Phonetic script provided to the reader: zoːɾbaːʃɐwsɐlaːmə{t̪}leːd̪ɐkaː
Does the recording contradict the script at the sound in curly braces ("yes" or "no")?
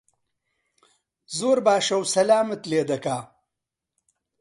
no